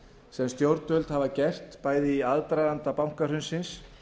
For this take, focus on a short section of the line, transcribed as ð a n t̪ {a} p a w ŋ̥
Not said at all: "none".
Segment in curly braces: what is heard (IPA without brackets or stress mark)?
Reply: a